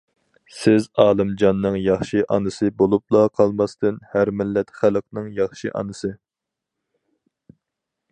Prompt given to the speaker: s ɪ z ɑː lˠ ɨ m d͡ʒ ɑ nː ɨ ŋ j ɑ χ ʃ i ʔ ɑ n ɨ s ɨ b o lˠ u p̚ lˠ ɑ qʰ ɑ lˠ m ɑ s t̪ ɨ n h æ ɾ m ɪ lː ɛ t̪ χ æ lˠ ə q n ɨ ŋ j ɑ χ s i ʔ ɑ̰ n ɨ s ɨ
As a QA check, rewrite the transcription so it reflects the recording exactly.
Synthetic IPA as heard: s ɪ z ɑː lˠ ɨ m d͡ʒ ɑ nː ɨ ŋ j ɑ χ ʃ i ʔ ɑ n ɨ s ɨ b o lˠ u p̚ lˠ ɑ qʰ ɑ lˠ m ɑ s t̪ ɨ n h æ ɾ m ɪ lː ɛ t̪ χ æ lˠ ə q n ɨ ŋ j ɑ χ ʃ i ʔ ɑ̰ n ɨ s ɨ

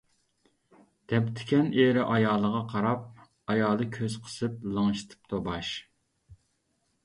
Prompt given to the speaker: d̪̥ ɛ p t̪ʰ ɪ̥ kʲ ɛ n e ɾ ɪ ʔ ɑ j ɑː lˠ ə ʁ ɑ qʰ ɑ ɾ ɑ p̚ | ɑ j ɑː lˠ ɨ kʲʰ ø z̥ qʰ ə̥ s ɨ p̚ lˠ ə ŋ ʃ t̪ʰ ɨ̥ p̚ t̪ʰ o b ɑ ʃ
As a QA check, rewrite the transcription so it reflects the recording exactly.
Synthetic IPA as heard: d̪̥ ɛ p t̪ʰ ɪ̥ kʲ ɛ n e ɾ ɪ ʔ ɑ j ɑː lˠ ə ʁ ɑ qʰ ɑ ɾ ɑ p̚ | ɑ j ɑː lˠ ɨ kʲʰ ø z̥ qʰ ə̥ s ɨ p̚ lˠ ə ŋ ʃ t̪ʰ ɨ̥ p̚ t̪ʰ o b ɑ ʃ

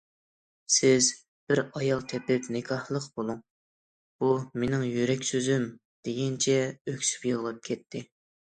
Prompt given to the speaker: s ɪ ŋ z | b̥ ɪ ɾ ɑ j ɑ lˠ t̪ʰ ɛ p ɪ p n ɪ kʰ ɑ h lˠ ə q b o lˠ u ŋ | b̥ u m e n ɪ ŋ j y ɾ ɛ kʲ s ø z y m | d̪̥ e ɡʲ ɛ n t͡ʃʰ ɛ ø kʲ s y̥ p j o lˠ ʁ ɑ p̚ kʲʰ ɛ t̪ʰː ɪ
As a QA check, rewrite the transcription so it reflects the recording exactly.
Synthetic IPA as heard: s ɪ z | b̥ ɪ ɾ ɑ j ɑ lˠ t̪ʰ ɛ p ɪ p n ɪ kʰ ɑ h lˠ ə q b o lˠ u ŋ | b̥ u m e n ɪ ŋ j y ɾ ɛ kʲ s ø z y m | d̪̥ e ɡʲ ɛ n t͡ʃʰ ɛ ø kʲ s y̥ p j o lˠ ʁ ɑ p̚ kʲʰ ɛ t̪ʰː ɪ

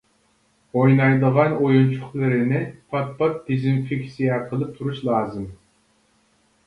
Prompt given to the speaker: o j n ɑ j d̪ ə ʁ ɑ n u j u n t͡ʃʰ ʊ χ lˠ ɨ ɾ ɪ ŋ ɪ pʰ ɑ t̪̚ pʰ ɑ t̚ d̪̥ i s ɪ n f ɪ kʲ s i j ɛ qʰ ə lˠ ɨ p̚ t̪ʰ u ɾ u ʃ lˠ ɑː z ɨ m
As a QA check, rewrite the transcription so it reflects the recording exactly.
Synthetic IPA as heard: o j n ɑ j d̪ ə ʁ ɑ n o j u n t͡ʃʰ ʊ χ lˠ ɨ ɾ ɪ n ɪ pʰ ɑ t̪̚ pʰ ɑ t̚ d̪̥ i z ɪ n f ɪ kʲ s i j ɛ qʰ ə lˠ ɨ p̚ t̪ʰ u ɾ u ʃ lˠ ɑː z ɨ m

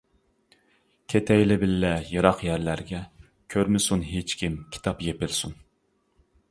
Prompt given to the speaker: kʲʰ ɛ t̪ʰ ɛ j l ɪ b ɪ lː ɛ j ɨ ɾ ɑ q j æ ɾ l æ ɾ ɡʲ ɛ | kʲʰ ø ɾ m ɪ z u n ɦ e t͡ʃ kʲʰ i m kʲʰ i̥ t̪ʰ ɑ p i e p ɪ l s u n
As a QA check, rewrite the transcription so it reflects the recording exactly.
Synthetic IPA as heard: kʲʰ e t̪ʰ ɛ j l ɪ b ɪ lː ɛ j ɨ ɾ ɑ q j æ ɾ l æ ɾ ɡʲ ɛ | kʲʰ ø ɾ m ɪ s u n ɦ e t͡ʃ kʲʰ i m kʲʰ i̥ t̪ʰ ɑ p j e p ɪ l s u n

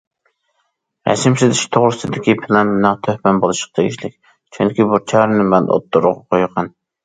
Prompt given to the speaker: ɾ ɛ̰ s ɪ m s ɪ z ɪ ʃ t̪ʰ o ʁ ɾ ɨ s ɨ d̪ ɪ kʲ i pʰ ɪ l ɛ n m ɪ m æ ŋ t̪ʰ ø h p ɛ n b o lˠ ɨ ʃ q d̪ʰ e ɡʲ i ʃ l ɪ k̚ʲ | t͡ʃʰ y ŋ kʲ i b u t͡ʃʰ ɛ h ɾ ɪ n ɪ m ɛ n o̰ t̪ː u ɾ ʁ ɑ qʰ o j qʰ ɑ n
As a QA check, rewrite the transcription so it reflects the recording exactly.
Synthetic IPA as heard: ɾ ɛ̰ s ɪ m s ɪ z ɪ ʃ t̪ʰ o ʁ ɾ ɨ s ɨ d̪ ɪ kʲ i pʰ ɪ l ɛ n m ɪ n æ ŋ t̪ʰ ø h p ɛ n b o lˠ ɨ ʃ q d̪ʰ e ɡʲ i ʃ l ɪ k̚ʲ | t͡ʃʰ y ŋ kʲ i b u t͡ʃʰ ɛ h ɾ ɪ n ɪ m ɛ n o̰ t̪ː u ɾ ʁ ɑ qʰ o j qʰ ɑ n

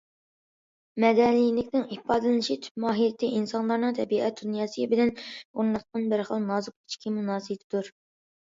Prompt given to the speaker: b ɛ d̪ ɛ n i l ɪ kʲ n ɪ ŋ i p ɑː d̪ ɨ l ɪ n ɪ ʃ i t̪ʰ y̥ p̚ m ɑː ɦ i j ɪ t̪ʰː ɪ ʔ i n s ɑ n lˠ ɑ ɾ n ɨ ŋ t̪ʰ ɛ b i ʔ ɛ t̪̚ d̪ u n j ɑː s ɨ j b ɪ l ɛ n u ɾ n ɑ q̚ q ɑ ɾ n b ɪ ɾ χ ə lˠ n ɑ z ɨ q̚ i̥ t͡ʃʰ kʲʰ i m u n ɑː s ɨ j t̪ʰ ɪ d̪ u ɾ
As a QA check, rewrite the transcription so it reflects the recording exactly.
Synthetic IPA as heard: m ɛ d̪ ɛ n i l ɪ kʲ n ɪ ŋ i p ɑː d̪ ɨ l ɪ n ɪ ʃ i t̪ʰ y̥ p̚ m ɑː ɦ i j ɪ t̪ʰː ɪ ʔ i n s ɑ n lˠ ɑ ɾ n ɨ ŋ t̪ʰ ɛ b i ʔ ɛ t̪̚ d̪ u n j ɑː s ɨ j b ɪ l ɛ n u ɾ n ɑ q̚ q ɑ n b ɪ ɾ χ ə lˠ n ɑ z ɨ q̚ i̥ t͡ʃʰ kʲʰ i m u n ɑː s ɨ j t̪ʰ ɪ d̪ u ɾ

